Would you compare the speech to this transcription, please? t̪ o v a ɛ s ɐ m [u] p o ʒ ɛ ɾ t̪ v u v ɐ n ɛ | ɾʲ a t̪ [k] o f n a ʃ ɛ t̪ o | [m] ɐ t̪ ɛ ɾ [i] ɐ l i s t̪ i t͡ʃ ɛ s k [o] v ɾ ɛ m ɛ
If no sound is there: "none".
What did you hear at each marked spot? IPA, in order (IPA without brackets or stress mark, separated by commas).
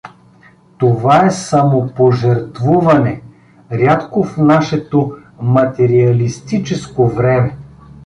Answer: o, k, m, i, o